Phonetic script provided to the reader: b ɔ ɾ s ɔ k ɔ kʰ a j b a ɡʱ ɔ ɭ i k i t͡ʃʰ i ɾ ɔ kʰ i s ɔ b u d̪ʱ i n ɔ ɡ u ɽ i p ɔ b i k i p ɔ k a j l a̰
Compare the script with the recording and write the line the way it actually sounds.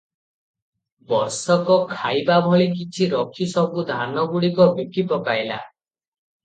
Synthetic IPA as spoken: b ɔ ɾ s ɔ k ɔ kʰ a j b a bʱ ɔ ɭ i k i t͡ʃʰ i ɾ ɔ kʰ i s ɔ b u d̪ʱ a n ɔ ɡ u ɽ i k ɔ b i k i p ɔ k a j l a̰